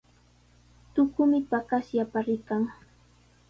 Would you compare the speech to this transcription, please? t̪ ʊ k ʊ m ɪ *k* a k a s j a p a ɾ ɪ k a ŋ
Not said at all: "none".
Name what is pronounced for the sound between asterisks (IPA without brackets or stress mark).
p